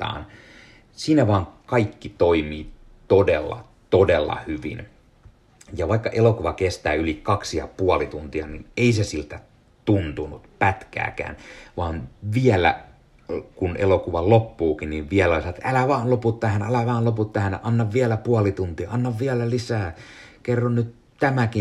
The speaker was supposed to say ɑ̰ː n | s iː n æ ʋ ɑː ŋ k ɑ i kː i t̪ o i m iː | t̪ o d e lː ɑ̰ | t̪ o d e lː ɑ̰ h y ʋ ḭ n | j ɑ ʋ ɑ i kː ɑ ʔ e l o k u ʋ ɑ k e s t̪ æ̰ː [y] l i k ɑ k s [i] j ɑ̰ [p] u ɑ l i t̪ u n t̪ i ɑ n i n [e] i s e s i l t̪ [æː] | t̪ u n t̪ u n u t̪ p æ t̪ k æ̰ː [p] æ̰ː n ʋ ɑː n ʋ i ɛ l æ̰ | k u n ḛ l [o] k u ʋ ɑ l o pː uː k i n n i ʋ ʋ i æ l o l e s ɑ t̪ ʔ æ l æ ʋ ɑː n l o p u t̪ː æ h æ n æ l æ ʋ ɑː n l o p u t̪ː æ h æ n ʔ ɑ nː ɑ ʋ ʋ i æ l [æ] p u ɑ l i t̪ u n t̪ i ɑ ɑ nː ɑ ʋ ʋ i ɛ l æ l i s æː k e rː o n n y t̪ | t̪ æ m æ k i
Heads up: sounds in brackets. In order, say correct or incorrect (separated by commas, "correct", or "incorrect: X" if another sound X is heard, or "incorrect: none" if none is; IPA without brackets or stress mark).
correct, correct, correct, correct, incorrect: æ, incorrect: k, correct, correct